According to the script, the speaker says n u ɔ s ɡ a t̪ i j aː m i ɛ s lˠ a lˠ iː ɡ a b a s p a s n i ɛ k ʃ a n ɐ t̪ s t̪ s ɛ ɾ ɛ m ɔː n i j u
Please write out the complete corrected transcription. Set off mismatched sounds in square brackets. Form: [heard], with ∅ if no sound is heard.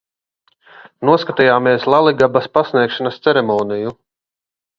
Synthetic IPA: n u ɔ s [k] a t̪ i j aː m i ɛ s lˠ a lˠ [i] ɡ a b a s p a s n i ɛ k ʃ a n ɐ [∅] s t̪ s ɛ ɾ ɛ m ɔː n i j u